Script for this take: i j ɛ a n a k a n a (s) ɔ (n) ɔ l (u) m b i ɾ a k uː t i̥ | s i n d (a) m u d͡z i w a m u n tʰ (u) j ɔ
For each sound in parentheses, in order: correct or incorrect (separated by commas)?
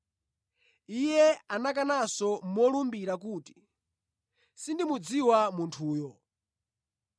correct, incorrect, correct, incorrect, incorrect